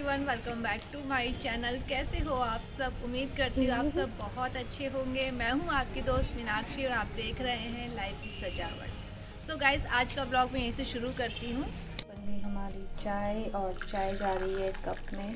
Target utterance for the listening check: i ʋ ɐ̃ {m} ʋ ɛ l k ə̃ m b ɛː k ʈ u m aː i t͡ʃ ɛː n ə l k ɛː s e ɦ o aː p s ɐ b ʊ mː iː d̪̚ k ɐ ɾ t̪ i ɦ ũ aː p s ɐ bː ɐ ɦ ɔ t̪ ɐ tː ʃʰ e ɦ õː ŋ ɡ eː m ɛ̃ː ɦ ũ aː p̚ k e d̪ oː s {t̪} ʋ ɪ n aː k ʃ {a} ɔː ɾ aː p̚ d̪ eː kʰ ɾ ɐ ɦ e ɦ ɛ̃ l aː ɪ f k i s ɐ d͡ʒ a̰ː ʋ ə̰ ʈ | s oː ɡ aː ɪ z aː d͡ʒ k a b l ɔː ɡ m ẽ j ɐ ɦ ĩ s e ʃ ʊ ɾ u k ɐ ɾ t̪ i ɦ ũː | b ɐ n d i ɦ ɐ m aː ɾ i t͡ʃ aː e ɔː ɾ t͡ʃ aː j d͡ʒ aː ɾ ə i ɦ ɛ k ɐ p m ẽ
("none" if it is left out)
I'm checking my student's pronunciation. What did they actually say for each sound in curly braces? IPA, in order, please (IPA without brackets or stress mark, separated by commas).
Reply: n, t̪, i